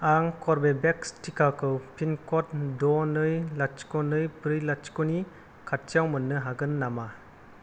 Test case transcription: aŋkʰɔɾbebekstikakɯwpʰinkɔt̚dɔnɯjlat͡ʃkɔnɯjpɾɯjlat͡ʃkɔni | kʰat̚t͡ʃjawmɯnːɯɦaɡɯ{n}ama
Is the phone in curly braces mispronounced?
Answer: yes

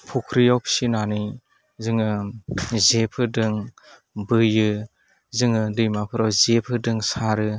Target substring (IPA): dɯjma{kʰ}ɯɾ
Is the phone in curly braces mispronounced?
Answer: yes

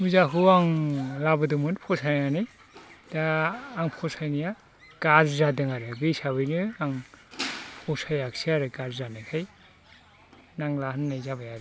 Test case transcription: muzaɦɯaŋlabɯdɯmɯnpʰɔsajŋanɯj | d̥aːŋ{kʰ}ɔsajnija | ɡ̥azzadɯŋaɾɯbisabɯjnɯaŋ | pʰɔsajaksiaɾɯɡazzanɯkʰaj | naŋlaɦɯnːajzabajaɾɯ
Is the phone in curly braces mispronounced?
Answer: yes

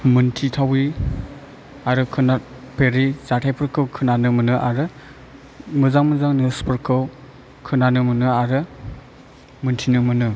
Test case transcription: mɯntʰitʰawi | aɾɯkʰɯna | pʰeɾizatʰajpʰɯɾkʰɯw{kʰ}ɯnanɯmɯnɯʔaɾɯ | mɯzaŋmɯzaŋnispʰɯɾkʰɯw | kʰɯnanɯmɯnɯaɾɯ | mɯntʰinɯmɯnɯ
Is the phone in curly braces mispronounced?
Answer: no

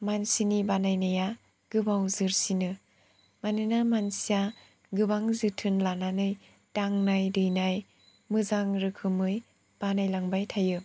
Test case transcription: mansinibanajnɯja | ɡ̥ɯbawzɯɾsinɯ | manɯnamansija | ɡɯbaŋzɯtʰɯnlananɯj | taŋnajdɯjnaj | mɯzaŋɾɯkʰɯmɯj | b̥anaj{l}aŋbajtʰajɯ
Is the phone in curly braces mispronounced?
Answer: no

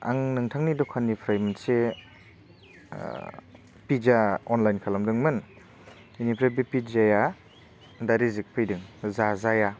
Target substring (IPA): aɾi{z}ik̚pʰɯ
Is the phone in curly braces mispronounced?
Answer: no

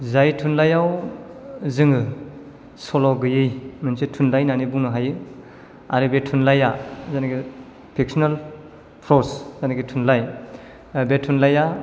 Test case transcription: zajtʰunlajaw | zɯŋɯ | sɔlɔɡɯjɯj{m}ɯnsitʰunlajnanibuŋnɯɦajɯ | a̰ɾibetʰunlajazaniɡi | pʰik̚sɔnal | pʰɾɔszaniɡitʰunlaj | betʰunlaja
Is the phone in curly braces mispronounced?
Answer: no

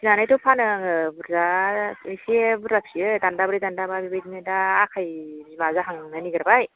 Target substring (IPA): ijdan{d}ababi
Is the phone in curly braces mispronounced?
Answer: no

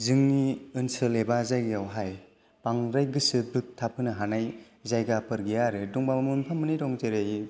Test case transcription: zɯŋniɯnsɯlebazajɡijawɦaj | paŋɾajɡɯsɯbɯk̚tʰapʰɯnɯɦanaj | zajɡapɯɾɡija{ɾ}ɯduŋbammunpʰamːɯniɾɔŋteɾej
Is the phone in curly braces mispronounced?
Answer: no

